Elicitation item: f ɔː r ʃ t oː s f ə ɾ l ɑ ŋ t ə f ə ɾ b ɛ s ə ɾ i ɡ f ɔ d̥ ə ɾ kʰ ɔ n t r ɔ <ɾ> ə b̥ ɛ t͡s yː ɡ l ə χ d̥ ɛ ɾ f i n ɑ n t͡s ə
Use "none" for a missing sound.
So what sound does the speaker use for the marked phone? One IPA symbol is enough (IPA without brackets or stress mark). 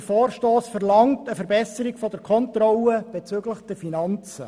l